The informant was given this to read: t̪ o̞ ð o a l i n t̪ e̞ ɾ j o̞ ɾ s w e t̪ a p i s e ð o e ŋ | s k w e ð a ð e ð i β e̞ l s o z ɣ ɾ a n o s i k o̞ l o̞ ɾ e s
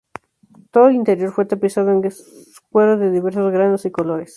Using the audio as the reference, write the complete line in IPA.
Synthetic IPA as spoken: t̪ o̞ ð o e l i n t̪ e̞ ɾ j o̞ ɾ f w e t̪ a p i s a ð o e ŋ | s k w e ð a ð e ð i β e̞ ɾ s o z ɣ ɾ a n o s i k o̞ l o̞ ɾ e s